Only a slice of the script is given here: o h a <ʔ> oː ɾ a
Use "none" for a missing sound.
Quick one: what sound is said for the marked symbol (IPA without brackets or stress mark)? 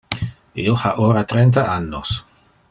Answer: ʔ